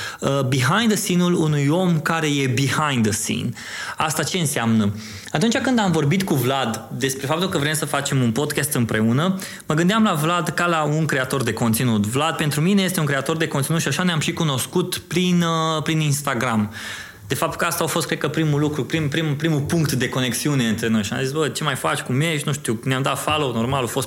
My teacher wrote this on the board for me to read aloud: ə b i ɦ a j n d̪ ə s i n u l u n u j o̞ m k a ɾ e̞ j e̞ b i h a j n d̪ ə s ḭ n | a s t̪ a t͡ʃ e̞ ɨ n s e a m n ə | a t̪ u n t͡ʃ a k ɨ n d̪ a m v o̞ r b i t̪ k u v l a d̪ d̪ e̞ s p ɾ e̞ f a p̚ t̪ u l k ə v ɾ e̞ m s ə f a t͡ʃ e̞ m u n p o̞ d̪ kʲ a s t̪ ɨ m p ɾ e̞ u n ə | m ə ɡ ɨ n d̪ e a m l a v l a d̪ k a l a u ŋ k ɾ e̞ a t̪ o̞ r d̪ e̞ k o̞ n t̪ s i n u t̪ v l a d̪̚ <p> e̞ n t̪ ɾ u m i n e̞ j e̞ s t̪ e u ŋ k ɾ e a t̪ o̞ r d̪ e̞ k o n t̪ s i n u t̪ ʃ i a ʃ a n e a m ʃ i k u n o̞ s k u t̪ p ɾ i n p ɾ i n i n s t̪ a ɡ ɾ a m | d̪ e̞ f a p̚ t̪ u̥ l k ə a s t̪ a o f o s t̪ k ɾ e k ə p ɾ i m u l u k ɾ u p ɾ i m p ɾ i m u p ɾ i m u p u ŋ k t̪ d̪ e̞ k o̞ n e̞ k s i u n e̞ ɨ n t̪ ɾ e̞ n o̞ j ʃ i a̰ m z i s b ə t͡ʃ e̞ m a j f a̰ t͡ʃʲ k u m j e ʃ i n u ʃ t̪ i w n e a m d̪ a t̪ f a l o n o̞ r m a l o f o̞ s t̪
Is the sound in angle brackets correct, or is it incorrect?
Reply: correct